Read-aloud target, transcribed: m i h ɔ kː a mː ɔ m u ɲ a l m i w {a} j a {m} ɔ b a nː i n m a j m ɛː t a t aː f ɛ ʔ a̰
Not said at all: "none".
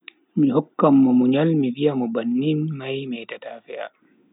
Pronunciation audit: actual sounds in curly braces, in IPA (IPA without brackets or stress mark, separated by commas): i, m